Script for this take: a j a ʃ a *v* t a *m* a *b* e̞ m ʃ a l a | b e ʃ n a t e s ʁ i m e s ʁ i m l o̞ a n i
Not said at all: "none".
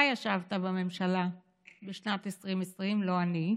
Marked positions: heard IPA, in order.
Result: v, b, m

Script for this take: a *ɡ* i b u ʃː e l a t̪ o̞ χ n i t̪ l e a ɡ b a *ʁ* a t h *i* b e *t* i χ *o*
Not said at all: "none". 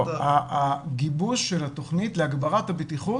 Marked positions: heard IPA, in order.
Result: ɡ, ʁ, a, t, u

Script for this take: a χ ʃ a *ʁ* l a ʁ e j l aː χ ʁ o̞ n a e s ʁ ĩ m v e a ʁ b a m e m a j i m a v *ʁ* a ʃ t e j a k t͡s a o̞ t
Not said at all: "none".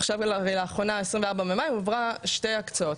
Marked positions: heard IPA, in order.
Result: v, ʁ

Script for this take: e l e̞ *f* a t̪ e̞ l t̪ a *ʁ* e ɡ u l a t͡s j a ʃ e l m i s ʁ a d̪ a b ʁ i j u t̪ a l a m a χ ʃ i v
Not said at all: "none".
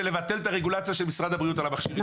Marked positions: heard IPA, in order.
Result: v, ʁ

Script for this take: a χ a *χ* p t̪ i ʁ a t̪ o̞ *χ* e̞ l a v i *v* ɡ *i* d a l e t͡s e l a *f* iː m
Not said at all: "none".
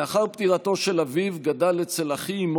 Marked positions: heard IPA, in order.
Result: ʁ, ʃ, v, a, χ

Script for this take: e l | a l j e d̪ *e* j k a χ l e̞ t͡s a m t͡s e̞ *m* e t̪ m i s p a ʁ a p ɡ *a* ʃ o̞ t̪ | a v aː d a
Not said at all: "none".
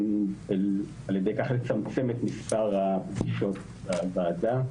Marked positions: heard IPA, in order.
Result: e, m, i

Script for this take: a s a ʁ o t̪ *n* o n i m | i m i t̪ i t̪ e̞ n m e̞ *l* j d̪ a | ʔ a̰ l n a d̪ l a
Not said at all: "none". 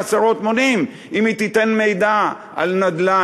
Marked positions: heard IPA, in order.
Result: m, none

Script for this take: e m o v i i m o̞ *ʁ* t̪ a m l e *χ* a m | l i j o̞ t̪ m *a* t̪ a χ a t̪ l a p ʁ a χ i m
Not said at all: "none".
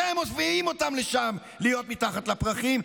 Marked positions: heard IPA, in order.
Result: none, ʃ, i

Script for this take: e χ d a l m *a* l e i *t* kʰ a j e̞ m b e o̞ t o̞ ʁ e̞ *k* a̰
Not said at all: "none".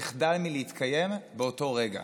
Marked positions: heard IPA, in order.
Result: i, t, ɡ

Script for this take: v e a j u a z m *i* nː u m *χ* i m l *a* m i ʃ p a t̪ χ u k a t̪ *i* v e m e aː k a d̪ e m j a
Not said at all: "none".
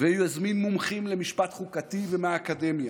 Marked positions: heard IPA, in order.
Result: i, χ, e, i

